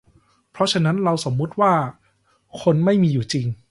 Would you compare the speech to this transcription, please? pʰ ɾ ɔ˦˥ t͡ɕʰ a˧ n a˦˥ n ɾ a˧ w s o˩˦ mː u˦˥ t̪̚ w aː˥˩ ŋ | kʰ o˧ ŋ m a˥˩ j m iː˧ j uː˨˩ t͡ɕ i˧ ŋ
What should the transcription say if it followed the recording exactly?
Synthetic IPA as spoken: pʰ ɾ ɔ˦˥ t͡ɕʰ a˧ n a˦˥ n ɾ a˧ w s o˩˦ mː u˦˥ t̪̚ w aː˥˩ | kʰ o˧ n m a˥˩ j m iː˧ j uː˨˩ t͡ɕ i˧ ŋ